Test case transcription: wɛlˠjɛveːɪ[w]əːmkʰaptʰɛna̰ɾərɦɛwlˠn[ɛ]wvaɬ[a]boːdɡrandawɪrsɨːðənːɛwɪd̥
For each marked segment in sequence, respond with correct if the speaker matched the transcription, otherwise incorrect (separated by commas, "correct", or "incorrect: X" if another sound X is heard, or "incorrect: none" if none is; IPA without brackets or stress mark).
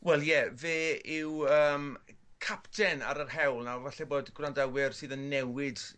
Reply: correct, incorrect: a, incorrect: ɛ